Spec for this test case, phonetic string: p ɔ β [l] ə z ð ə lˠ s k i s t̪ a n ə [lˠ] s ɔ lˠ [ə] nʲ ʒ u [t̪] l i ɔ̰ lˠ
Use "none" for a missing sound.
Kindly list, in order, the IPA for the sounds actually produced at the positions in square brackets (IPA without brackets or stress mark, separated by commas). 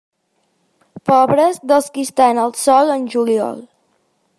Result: ɾ, lˠ, ə, none